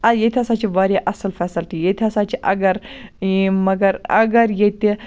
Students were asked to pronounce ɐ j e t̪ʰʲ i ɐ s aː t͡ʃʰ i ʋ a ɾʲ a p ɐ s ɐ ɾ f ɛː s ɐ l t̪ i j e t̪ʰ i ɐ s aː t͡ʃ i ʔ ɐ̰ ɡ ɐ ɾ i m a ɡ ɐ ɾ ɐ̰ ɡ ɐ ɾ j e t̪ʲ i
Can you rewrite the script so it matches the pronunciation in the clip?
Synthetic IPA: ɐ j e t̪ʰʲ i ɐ s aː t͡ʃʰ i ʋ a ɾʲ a ʔ ɐ s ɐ l f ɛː s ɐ l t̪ i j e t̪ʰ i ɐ s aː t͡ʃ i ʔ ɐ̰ ɡ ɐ ɾ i m ɐ ɡ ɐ ɾ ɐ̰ ɡ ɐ ɾ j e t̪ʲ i